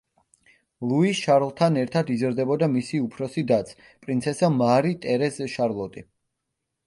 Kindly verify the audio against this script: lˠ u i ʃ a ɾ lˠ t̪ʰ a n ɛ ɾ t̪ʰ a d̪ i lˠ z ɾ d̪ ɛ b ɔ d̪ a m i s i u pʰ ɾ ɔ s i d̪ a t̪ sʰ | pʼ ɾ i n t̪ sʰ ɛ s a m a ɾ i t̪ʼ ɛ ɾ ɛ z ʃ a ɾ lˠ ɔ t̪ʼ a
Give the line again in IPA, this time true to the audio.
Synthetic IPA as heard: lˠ u i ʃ a ɾ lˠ t̪ʰ a n ɛ ɾ t̪ʰ a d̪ i z ɾ d̪ ɛ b ɔ d̪ a m i s i u pʰ ɾ ɔ s i d̪ a t̪ sʰ | pʼ ɾ i n t̪ sʰ ɛ s a m a ɾ i t̪ʼ ɛ ɾ ɛ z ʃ a ɾ lˠ ɔ t̪ʼ i